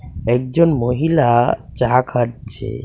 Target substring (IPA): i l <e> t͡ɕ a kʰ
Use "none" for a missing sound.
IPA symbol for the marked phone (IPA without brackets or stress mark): a